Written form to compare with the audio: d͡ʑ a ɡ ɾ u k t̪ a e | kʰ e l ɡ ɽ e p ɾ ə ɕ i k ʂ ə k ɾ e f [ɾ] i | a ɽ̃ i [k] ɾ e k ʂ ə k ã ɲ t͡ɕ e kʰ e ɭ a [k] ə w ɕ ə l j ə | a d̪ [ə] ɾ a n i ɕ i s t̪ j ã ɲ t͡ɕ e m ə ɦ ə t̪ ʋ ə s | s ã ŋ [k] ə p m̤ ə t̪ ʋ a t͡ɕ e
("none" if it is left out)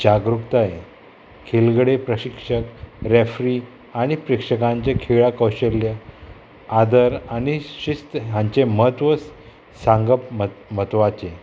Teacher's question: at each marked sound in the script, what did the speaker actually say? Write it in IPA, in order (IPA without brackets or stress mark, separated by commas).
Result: ɾ, p, k, ə, ɡ